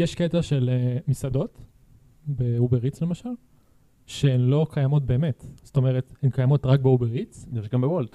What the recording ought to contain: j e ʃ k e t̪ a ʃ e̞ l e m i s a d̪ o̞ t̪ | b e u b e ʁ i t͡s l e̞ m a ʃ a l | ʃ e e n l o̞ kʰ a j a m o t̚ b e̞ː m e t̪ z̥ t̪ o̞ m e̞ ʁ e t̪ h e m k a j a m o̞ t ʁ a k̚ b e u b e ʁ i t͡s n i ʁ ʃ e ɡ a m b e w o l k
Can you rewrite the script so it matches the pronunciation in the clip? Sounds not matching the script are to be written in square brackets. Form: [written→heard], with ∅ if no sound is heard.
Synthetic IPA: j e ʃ k e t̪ a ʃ e̞ l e m i s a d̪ o̞ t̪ | b e u b e ʁ i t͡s l e̞ m a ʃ a l | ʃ e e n l o̞ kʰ a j a m o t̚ b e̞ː m e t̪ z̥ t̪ o̞ m e̞ ʁ e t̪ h e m k a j a m o̞ t ʁ a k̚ b e u b e ʁ i t͡s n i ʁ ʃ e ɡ a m b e w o l [k→t]